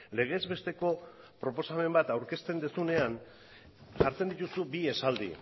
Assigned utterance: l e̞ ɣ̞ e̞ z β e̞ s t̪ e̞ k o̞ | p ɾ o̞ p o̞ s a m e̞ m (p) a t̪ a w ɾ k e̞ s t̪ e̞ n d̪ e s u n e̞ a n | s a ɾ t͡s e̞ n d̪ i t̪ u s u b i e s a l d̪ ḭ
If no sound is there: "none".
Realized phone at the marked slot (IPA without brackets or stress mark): b